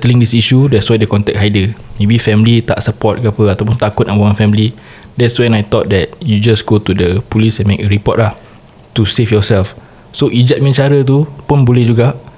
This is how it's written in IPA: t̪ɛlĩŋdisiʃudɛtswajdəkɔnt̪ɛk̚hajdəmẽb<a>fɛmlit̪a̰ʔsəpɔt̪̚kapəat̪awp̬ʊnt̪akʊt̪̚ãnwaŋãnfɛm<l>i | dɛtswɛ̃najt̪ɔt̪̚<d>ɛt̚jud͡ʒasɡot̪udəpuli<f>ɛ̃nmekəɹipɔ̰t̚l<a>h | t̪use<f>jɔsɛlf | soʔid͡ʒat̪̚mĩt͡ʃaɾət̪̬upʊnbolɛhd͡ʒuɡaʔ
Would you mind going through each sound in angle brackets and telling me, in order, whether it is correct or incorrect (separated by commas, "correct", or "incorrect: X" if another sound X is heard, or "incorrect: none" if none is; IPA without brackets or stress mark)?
incorrect: i, correct, correct, incorrect: s, correct, correct